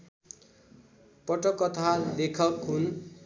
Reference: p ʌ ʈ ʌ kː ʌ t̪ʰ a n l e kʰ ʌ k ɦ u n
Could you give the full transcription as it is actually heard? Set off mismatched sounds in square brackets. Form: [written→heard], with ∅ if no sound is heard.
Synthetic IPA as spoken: p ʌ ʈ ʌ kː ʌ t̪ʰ a [n→∅] l e kʰ ʌ k ɦ u n